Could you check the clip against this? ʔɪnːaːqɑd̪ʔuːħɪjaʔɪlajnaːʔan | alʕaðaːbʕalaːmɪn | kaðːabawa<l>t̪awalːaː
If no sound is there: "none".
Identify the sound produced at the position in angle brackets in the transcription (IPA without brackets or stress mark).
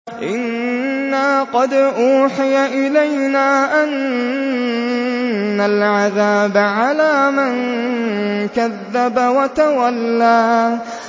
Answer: none